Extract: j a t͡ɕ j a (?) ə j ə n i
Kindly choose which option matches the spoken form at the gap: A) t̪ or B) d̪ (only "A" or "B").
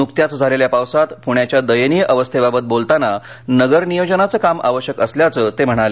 B